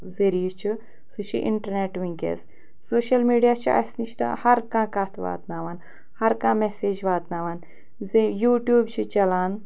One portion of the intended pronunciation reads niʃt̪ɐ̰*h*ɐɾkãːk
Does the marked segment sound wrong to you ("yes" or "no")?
no